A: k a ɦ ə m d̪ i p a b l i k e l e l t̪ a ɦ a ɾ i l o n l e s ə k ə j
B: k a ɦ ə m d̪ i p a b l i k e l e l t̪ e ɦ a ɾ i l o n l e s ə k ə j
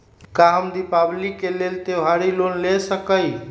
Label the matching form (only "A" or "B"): B